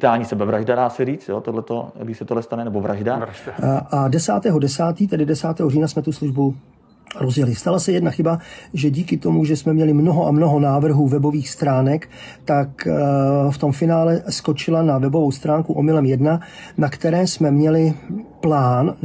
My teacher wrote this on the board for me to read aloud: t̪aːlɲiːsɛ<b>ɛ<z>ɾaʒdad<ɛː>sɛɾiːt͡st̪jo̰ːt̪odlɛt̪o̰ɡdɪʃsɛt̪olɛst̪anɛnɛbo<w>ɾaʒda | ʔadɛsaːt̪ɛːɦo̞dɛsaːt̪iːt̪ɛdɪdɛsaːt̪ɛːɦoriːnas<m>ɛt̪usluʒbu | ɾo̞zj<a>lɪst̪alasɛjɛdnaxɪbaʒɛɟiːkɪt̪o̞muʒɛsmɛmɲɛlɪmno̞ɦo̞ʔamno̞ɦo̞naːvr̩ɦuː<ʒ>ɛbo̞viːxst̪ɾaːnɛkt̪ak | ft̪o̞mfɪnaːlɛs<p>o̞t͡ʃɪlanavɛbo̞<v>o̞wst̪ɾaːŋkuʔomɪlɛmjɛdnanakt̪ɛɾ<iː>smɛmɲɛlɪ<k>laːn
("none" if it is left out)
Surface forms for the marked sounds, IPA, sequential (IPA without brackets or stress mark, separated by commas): b, v, aː, v, m, ɛ, v, k, v, ɛː, p